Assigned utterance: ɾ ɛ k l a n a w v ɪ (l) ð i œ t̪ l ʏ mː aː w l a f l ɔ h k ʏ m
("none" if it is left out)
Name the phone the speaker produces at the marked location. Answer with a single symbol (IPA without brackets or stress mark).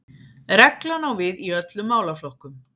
none